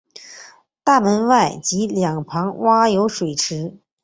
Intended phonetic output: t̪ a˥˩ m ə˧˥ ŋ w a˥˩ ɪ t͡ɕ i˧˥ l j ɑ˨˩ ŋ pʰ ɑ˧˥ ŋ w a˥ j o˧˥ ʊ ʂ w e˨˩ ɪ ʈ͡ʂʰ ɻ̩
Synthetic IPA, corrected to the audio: t̪ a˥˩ m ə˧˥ n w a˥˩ ɪ t͡ɕ i˧˥ l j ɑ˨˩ ŋ pʰ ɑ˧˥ ŋ w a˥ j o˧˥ ʊ ʂ w e˨˩ ɪ ʈ͡ʂʰ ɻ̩